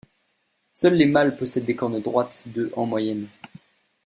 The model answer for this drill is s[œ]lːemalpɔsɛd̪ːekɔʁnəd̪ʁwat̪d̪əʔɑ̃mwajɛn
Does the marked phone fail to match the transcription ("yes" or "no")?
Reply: no